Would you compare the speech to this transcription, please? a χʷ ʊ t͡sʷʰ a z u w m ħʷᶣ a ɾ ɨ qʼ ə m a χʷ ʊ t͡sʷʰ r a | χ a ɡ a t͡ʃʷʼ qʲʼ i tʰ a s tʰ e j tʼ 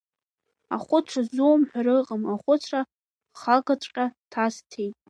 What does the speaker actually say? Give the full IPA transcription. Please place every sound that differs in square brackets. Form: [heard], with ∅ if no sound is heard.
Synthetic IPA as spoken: a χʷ ʊ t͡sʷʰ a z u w m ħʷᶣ a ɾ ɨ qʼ ə m a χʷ ʊ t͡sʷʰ r a | χ a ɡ a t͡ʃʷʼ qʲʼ [a] tʰ a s tʰ e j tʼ